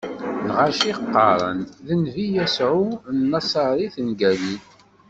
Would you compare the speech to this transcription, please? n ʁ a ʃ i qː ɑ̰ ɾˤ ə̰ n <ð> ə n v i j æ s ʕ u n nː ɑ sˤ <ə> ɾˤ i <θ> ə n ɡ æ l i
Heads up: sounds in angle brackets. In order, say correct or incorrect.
correct, incorrect: ɑ, correct

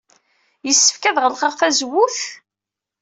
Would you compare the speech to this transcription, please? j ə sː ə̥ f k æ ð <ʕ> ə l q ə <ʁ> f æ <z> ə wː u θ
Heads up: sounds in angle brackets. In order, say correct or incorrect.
incorrect: ʁ, correct, correct

